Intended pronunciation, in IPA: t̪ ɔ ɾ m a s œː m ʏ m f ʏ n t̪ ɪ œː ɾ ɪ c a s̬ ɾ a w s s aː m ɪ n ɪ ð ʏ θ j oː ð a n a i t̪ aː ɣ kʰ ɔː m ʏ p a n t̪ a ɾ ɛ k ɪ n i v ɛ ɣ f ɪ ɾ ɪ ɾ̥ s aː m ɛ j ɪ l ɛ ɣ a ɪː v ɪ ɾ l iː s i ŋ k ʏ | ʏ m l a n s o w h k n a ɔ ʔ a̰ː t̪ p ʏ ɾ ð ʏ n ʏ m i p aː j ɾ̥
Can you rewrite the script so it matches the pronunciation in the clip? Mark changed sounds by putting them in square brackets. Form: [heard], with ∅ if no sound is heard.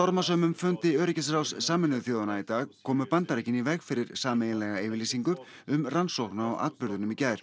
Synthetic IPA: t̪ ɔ ɾ m a s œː m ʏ m f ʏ n t̪ ɪ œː ɾ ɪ c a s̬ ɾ a w s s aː m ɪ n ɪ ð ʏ θ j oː ð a n a i t̪ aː ɣ kʰ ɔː m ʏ p a n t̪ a ɾ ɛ [c] ɪ n i v ɛ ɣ f ɪ ɾ ɪ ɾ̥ s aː m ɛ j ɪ l ɛ ɣ a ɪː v ɪ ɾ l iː s i ŋ k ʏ | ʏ m [r] a n s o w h k n a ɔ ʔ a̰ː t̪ p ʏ ɾ ð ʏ n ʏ m i [c] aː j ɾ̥